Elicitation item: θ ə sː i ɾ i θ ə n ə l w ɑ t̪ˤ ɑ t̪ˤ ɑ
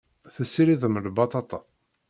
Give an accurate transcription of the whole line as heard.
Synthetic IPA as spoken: θ ə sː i ɾ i ð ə m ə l b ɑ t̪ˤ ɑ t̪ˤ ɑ

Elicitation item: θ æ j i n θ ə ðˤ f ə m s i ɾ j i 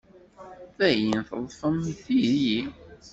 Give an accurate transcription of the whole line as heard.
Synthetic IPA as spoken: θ æ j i n θ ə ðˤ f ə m θ i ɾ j i

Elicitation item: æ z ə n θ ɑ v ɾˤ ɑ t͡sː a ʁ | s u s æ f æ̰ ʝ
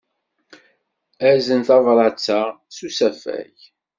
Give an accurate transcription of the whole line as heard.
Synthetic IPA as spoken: æ z ə n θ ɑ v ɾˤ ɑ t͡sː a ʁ | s u s æ f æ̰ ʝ

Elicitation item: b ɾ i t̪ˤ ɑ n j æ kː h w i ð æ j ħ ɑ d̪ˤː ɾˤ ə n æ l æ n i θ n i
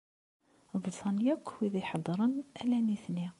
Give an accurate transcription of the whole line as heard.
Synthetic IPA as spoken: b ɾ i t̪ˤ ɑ n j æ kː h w i ð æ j ħ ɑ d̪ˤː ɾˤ ə n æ l æ n i θ n i

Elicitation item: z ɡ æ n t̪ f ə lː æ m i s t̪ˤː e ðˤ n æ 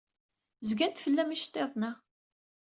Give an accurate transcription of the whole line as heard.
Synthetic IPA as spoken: z ɡ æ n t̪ f ə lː æ m i ʃ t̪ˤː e ðˤ n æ

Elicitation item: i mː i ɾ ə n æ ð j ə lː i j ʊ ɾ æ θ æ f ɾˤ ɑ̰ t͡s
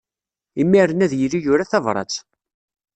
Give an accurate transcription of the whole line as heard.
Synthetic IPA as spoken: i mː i ɾ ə n æ ð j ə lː i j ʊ ɾ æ θ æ v ɾˤ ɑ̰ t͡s

